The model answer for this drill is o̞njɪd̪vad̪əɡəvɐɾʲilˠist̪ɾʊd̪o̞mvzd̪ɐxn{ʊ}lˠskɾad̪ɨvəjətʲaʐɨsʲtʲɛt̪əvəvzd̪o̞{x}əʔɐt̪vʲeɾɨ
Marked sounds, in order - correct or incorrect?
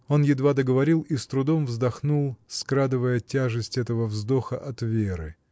incorrect: u, correct

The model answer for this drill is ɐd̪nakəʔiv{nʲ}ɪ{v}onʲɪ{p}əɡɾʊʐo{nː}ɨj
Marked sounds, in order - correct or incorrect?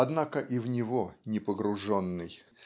correct, correct, correct, correct

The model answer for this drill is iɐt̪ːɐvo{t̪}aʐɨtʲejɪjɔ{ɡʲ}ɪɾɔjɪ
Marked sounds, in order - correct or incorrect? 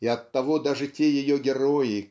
incorrect: d̪, correct

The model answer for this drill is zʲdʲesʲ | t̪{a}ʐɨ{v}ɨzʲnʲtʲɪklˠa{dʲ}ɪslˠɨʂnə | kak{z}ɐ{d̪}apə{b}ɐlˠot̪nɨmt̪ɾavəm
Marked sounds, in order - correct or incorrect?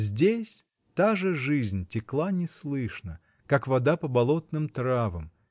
correct, incorrect: ʐ, incorrect: nʲ, incorrect: v, correct, correct

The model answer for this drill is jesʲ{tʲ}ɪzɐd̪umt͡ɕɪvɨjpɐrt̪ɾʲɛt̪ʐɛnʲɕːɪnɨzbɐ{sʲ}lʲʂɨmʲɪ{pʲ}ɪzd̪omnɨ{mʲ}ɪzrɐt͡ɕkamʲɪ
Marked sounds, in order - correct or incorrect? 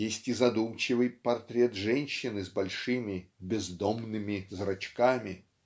correct, incorrect: none, incorrect: bʲ, correct

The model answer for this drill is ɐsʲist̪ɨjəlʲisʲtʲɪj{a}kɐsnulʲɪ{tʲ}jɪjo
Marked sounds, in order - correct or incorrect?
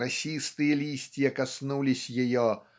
incorrect: ə, incorrect: sʲ

